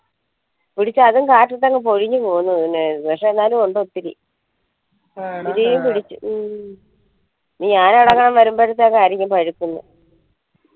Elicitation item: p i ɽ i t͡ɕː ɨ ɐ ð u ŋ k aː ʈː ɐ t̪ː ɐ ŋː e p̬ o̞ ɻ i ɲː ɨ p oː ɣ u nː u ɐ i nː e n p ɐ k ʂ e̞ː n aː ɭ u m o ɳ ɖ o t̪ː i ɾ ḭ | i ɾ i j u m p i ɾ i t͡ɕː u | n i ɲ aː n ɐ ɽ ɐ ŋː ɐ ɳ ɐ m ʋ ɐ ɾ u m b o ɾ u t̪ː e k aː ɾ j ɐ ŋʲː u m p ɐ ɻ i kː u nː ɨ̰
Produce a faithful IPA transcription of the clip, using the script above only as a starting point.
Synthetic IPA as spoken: p i ɽ i t͡ɕː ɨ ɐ ð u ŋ k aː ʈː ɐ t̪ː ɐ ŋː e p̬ o̞ ɻ i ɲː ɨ p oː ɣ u nː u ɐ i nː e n p ɐ k ʂ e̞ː nː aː l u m o ɳ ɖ o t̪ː i ɾ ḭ | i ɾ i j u m p i ɽ i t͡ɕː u | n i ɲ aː n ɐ ɽ ɐ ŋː ɐ ɳ ɐ m ʋ ɐ ɾ u m b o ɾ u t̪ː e k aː ɾ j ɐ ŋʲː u m p ɐ ɻ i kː u nː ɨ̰